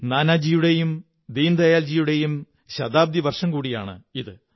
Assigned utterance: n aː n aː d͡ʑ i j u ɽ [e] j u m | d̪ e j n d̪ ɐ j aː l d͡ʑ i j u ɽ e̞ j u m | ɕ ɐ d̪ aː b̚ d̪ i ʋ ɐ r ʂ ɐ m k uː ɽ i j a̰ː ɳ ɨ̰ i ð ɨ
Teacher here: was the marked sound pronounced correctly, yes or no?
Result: yes